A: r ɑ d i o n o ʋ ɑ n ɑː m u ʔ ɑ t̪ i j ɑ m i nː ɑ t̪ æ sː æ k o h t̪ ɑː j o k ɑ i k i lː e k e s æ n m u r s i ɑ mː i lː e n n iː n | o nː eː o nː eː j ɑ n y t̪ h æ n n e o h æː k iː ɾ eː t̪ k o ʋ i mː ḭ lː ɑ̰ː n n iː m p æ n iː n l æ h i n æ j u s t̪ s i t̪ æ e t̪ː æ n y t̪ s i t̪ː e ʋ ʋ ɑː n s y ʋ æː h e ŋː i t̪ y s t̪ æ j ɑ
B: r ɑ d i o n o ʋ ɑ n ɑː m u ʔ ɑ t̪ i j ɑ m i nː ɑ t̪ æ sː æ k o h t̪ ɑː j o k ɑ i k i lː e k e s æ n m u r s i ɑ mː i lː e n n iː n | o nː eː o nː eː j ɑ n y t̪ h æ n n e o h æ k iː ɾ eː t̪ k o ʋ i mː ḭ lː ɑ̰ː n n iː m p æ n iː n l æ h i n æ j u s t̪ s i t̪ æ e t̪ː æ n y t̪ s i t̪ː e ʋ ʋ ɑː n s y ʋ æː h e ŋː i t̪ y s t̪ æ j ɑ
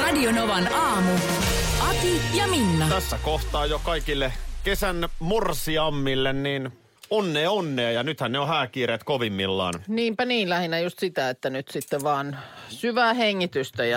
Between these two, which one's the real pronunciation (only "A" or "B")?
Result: A